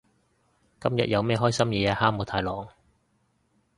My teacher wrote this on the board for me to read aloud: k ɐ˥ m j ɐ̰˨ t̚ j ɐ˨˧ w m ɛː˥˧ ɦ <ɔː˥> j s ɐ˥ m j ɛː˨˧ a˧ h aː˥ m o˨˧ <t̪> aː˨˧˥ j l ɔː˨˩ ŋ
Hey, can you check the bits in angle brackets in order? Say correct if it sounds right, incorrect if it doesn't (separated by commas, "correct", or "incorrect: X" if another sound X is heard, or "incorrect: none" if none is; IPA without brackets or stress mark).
correct, incorrect: t̪ʰ